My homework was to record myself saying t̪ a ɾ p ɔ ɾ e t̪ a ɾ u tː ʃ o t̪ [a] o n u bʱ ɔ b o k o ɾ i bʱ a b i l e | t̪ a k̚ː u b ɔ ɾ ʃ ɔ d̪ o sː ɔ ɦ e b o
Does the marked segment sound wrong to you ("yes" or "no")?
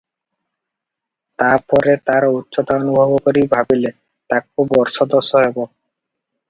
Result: no